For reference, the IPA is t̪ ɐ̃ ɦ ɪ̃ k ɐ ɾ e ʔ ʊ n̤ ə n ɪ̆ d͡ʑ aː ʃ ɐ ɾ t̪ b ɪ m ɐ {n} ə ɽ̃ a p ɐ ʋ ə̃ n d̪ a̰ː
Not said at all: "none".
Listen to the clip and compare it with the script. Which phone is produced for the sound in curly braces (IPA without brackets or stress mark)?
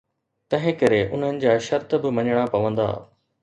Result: ɲ